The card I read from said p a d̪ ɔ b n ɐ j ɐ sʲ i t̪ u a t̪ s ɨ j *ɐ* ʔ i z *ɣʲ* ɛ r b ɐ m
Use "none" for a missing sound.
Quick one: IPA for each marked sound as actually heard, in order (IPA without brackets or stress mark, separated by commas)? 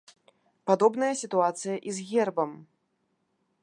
ɐ, ɣʲ